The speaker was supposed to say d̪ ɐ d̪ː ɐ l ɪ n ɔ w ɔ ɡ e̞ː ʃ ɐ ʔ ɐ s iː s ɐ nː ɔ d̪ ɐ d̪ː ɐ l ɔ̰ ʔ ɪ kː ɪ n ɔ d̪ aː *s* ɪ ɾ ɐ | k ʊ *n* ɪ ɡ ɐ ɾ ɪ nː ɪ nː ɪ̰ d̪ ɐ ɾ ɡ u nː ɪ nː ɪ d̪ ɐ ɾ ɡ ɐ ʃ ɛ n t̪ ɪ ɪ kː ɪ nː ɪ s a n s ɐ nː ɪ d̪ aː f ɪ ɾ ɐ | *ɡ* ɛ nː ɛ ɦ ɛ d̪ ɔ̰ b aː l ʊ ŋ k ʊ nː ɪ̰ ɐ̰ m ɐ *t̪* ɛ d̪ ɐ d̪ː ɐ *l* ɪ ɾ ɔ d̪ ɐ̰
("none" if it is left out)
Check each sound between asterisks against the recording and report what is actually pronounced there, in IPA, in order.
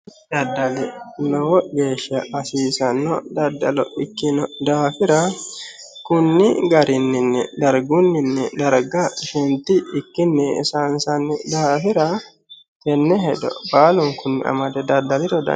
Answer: f, nː, k, d̪, l

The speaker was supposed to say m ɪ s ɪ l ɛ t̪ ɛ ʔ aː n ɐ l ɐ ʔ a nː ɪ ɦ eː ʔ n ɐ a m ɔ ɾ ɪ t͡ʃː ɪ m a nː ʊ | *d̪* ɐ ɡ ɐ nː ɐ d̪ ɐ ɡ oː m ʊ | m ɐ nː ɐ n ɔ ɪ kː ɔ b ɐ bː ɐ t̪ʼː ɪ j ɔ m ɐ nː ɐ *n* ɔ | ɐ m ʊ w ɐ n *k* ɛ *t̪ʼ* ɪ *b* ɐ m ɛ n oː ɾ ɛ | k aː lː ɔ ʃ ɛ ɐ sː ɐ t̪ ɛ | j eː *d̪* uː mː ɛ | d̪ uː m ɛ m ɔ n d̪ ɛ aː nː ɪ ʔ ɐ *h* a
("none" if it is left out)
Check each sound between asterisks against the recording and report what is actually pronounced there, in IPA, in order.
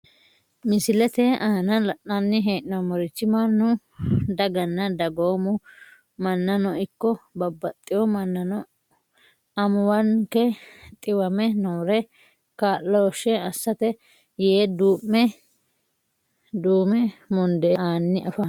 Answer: d̪, n, k, t̪ʼ, w, d̪, f

